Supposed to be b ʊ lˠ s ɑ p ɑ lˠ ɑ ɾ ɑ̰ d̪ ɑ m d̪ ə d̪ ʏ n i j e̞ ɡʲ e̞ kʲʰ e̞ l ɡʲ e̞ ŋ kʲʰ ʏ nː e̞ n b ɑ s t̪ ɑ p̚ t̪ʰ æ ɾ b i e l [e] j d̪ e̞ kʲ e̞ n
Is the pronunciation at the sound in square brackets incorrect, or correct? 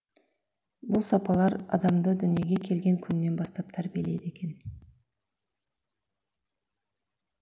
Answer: correct